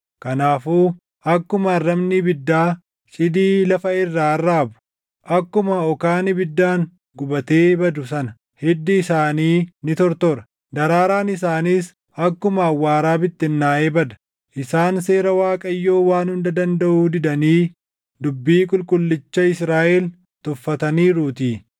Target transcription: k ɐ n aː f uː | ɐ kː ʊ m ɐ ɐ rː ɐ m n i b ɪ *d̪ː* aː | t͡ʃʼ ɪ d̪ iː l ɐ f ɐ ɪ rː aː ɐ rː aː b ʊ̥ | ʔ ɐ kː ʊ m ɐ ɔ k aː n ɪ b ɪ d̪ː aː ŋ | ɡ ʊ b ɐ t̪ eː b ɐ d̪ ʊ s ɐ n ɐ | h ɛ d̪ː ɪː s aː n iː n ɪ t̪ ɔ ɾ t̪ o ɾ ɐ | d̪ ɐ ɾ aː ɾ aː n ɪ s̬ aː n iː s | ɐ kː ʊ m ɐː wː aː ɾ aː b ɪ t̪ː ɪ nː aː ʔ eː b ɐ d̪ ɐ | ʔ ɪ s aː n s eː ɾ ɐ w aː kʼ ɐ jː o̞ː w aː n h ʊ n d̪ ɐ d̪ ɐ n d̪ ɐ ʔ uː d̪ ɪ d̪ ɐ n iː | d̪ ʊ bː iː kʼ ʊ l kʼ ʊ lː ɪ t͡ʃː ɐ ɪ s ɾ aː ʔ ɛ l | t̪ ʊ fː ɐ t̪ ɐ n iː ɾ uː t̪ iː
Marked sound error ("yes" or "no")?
no